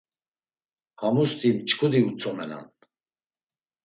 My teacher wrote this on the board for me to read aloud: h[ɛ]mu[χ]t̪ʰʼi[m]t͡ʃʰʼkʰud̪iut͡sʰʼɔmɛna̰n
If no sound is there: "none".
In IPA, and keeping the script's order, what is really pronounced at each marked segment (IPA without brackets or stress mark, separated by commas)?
a, s, m